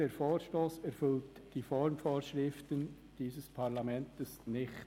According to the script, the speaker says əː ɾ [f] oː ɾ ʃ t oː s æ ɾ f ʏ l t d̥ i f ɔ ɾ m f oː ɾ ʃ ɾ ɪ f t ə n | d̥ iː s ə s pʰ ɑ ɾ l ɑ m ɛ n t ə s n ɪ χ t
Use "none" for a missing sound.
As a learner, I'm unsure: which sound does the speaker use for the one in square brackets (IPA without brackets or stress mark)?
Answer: f